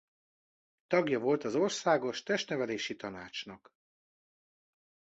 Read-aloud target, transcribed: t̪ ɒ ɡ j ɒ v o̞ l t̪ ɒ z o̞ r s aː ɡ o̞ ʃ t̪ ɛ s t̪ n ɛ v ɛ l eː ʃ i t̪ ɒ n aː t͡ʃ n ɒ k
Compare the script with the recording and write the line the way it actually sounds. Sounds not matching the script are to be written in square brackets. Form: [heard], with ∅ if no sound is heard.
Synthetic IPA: t̪ ɒ ɡ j ɒ v o̞ l t̪ ɒ z o̞ r s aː ɡ o̞ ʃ t̪ ɛ [ʃ] t̪ n ɛ v ɛ l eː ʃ i t̪ ɒ n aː t͡ʃ n ɒ k